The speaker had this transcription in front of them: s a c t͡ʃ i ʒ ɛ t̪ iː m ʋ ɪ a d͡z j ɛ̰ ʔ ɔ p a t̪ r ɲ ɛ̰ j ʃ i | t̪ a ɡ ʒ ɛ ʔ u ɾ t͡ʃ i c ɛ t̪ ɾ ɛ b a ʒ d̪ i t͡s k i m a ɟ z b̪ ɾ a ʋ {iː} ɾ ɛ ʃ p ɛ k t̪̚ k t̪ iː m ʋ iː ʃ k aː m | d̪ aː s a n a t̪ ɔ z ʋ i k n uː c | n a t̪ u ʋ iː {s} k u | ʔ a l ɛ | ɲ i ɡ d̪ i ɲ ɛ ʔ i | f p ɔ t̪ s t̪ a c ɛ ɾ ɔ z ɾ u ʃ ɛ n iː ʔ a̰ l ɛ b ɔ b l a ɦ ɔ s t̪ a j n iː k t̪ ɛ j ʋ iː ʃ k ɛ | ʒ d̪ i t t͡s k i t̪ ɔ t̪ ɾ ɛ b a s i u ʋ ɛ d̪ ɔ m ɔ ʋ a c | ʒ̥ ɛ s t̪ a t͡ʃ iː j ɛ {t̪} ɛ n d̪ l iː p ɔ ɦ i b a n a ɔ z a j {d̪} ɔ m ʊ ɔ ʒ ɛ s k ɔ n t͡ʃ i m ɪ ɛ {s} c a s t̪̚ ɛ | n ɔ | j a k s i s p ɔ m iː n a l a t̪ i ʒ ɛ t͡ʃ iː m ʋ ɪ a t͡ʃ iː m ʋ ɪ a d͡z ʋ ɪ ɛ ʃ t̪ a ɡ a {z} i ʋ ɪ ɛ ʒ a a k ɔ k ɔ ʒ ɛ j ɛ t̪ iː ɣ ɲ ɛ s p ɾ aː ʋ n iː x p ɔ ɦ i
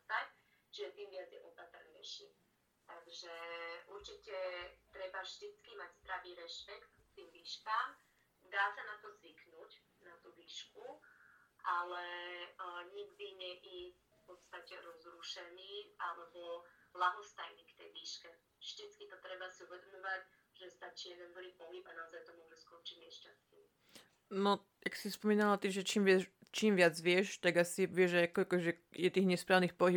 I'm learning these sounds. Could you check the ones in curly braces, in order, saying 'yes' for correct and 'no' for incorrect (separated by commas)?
yes, no, no, no, no, no